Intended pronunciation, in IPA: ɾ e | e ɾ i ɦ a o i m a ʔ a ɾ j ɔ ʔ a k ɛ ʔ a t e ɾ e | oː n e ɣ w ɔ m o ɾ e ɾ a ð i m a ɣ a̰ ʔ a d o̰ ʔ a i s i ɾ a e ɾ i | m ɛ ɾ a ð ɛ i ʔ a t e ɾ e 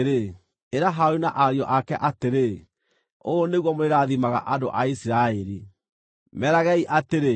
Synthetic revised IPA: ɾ e | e ɾ a ɦ a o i n a ʔ a ɾ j ɔ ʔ a k ɛ ʔ a t e ɾ e | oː n e ɣ w ɔ m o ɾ e ɾ a ð i m a ɣ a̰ ʔ a d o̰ ʔ a i s i ɾ a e ɾ i | m ɛ ɾ a ɣ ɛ i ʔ a t e ɾ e